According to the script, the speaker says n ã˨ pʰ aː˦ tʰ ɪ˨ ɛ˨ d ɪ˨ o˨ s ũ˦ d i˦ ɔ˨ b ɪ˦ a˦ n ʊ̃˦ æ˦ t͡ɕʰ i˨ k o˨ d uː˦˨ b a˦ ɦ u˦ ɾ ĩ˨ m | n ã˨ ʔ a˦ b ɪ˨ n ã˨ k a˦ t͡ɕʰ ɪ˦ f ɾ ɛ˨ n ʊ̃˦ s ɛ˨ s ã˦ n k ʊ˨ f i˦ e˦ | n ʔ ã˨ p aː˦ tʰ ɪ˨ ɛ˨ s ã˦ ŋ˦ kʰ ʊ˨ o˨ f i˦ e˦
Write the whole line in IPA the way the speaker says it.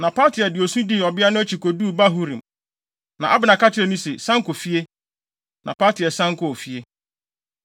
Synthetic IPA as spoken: n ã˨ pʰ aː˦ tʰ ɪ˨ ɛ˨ d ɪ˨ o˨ s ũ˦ d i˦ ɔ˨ b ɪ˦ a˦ n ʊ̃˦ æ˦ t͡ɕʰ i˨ k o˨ d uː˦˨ b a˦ ɦ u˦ ɾ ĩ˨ m | n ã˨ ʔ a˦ b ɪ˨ n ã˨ k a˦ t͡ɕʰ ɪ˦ ɾ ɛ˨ n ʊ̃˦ s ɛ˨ s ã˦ ŋ k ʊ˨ f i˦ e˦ | n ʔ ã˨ p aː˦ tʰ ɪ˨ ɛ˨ s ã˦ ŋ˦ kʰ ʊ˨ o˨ f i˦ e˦